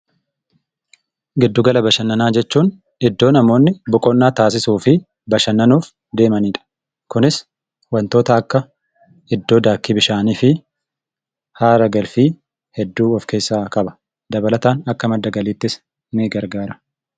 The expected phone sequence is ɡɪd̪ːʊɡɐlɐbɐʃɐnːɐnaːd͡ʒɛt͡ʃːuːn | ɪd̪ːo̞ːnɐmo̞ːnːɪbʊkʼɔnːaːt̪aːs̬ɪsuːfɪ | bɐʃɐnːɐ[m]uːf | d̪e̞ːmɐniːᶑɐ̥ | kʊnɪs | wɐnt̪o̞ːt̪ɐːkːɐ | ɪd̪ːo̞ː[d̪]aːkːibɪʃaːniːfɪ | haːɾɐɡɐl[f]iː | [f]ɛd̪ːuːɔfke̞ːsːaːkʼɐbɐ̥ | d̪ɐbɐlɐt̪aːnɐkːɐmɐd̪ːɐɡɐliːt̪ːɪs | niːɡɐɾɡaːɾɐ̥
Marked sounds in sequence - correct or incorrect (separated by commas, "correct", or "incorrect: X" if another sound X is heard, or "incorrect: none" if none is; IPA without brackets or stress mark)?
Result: incorrect: n, correct, correct, incorrect: h